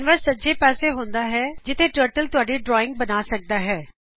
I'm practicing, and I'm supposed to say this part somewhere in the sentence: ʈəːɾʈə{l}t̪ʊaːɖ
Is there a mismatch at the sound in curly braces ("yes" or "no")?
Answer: no